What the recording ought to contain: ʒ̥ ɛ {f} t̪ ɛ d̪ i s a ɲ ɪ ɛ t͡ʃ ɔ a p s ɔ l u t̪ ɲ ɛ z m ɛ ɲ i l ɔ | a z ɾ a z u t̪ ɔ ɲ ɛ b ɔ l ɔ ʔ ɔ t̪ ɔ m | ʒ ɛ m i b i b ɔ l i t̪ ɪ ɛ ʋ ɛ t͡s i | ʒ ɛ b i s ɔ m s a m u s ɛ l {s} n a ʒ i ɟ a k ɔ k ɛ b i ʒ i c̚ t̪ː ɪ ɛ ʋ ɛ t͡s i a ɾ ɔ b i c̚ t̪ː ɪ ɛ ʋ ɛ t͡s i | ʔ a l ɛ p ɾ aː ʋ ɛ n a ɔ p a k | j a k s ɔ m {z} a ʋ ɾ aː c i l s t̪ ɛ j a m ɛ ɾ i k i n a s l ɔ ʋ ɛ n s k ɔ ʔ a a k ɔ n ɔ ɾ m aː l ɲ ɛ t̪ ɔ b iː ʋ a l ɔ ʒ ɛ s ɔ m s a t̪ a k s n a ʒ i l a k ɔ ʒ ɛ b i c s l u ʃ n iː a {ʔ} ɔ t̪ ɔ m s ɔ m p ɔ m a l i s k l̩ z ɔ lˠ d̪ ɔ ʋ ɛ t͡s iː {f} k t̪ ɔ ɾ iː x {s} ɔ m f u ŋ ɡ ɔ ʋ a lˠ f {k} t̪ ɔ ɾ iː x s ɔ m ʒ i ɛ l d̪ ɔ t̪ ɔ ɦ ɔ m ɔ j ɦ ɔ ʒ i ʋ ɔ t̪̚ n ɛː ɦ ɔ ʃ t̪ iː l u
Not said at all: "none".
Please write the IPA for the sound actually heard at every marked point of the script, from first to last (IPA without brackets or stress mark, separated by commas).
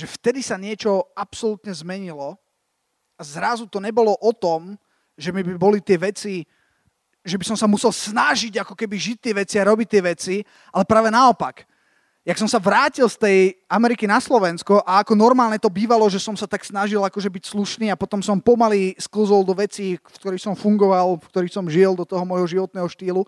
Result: f, s, s, p, f, s, k